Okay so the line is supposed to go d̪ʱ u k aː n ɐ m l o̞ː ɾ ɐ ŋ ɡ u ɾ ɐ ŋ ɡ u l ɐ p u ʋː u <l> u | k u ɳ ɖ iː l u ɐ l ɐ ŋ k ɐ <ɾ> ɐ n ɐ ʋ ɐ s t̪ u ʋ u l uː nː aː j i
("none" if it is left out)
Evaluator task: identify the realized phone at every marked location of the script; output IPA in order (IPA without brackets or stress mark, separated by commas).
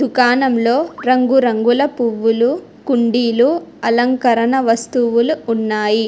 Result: l, ɾ